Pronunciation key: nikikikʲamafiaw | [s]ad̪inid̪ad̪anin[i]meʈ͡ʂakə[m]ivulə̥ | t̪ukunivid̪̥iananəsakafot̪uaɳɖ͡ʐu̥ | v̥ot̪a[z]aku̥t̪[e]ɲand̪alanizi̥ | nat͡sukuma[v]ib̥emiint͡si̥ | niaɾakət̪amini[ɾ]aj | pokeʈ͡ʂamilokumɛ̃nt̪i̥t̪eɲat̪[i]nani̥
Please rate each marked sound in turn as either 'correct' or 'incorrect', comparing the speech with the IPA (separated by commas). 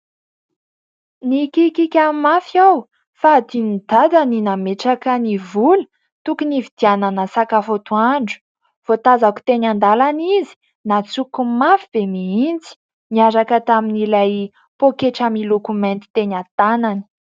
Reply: incorrect, incorrect, incorrect, correct, correct, incorrect, incorrect, incorrect